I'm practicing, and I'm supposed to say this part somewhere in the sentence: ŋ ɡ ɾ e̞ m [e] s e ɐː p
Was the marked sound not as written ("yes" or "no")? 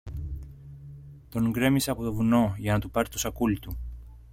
yes